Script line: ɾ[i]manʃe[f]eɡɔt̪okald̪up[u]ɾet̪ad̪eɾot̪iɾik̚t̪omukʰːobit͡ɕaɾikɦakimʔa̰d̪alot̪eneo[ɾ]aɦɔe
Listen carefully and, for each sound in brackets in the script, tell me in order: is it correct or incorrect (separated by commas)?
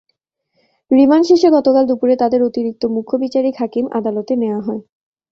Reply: correct, incorrect, correct, incorrect